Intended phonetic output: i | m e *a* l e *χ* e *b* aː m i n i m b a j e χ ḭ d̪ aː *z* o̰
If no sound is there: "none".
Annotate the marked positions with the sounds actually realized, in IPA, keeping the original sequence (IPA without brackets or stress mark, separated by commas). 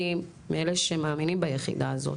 e, ʃ, m, z